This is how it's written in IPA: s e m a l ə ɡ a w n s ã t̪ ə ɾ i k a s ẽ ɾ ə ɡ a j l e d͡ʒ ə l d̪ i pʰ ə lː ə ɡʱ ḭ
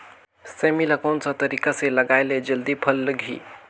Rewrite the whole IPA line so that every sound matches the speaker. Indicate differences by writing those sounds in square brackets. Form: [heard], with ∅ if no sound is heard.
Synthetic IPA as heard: s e m [i] l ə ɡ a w n s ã t̪ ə ɾ i k a s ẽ [l] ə ɡ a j l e d͡ʒ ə l d̪ i pʰ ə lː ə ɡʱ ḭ